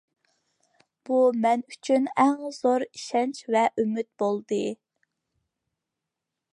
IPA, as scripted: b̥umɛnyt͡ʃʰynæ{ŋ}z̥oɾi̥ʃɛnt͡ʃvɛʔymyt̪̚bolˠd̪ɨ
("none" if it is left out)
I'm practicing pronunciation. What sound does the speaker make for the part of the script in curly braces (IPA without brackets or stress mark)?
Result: ŋ